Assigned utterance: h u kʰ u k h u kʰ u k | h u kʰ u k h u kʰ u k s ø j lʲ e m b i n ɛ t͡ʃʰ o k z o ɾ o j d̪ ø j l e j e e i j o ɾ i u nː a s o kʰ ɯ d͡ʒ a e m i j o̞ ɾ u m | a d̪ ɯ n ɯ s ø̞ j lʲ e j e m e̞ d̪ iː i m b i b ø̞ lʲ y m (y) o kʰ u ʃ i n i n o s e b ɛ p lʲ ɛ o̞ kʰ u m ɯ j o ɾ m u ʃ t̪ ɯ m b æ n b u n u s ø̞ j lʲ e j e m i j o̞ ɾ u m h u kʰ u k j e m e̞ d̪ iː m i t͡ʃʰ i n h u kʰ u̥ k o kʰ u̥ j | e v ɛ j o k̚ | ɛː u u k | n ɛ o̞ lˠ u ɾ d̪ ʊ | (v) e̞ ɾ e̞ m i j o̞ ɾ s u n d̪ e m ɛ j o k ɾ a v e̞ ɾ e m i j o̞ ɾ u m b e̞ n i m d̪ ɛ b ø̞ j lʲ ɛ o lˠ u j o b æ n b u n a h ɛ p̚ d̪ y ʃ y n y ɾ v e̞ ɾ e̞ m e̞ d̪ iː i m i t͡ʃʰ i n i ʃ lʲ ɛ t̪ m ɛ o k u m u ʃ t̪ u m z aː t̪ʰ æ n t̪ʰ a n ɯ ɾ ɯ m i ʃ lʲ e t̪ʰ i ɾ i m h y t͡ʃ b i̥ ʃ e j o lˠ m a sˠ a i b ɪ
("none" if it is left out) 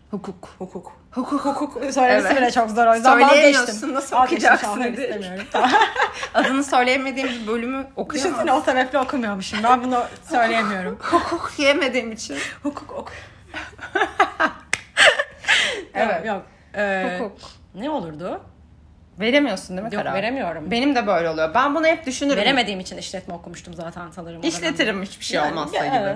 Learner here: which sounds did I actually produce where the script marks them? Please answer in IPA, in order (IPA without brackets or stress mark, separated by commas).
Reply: y, v